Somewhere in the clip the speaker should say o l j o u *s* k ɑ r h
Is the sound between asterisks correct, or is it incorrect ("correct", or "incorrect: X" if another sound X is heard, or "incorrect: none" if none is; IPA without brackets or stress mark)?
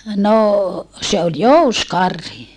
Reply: correct